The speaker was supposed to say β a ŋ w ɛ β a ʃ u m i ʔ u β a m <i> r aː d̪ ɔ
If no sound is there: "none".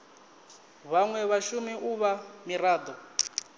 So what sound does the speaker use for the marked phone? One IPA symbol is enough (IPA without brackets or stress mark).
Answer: i